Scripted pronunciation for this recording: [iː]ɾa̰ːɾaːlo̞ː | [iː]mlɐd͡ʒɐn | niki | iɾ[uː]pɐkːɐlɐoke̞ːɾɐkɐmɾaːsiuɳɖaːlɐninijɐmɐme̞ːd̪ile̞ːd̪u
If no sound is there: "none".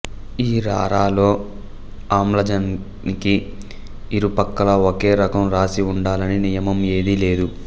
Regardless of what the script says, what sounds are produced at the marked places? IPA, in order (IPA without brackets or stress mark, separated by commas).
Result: iː, aː, u